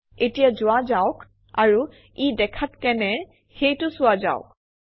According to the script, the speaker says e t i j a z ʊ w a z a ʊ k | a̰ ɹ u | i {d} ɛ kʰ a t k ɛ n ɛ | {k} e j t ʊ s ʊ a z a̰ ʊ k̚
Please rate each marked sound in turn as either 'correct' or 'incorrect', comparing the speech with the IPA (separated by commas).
correct, incorrect